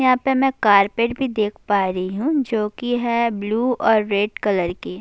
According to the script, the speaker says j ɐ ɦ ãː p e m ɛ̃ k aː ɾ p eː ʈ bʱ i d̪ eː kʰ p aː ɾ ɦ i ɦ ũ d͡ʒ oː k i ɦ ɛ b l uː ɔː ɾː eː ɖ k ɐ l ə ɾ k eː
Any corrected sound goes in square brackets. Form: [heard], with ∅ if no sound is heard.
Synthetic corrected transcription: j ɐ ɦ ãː p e m ɛ̃ k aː ɾ p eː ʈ bʱ i d̪ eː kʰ p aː ɾ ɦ i ɦ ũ d͡ʒ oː k i ɦ ɛ b l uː ɔː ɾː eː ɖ k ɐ l ə ɾ k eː

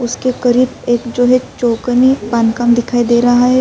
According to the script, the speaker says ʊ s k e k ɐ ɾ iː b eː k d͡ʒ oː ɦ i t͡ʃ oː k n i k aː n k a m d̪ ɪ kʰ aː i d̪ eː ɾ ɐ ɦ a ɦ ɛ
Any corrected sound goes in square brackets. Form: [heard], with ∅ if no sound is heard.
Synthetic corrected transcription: ʊ s k e k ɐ ɾ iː b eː k d͡ʒ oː ɦ [ɛ] t͡ʃ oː k n i [p] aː n k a m d̪ ɪ kʰ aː i d̪ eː ɾ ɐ ɦ a ɦ ɛ

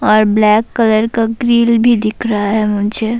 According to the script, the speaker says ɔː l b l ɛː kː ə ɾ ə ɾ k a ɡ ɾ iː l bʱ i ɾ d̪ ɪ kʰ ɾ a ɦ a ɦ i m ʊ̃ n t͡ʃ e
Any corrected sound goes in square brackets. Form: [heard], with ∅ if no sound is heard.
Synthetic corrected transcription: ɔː [ɾ] b l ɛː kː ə [l] ə ɾ k a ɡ ɾ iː l bʱ i [∅] d̪ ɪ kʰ ɾ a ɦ a ɦ [ɛ] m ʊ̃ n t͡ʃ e

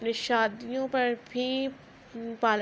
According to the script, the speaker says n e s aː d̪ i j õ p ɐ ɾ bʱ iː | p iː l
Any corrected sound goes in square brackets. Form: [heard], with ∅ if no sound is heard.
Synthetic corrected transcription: n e [ʃ] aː d̪ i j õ p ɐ ɾ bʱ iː | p [aː] l

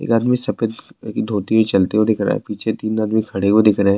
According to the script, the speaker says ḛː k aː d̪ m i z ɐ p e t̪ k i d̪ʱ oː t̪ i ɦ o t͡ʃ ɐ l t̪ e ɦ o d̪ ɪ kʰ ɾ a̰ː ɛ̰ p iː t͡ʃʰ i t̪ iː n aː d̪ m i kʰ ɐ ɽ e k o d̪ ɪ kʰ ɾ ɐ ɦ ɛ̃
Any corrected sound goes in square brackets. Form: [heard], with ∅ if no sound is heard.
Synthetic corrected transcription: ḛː k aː d̪ m i [s] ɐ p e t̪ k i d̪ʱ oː t̪ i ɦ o t͡ʃ ɐ l t̪ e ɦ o d̪ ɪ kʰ ɾ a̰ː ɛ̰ p iː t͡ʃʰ [e] t̪ iː n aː d̪ m i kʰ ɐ ɽ e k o d̪ ɪ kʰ ɾ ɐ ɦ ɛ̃

